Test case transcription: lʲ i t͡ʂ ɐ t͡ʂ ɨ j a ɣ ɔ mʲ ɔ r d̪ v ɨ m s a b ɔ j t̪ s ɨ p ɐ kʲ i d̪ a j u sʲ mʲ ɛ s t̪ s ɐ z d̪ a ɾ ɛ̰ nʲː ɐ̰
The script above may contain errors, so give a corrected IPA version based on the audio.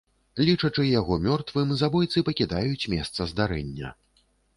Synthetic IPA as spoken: lʲ i t͡ʂ ɐ t͡ʂ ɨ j a ɣ ɔ mʲ ɔ r t̪ v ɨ m z a b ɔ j t̪ s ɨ p ɐ kʲ i d̪ a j u t͡sʲ mʲ ɛ s t̪ s ɐ z d̪ a ɾ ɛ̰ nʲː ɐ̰